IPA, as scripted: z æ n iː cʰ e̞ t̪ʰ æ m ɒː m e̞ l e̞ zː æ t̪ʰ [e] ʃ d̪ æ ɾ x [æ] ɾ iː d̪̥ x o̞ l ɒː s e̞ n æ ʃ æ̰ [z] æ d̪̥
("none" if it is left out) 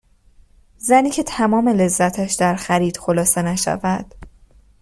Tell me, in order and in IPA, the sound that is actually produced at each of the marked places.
æ, æ, v

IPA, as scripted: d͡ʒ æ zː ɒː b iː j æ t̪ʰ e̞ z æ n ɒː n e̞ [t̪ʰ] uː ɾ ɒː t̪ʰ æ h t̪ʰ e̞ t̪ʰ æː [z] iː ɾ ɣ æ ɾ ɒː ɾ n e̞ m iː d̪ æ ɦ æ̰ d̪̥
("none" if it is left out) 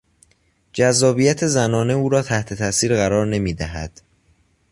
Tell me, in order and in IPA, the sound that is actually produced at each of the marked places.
none, s

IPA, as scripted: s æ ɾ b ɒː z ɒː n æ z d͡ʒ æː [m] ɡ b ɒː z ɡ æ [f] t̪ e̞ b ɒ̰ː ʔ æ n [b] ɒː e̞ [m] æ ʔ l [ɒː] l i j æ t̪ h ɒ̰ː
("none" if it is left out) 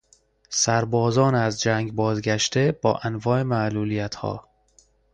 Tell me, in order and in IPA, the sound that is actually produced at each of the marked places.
ŋ, ʃ, v, m, uː

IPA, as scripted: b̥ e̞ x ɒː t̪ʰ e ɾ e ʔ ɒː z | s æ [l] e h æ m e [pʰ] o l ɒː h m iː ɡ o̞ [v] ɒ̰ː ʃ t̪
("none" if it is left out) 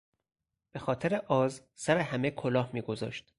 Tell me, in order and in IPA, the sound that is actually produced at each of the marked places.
ɾ, kʰ, z

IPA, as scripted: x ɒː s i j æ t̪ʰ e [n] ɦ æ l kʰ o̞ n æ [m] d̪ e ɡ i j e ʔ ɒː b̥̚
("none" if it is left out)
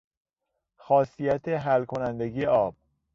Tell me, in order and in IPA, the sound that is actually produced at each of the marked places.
none, n

